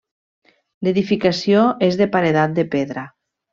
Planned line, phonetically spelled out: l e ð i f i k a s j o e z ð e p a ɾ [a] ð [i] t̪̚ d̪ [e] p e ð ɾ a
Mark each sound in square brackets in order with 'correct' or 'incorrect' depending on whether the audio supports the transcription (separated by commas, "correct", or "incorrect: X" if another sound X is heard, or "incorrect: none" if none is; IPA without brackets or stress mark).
incorrect: e, incorrect: a, correct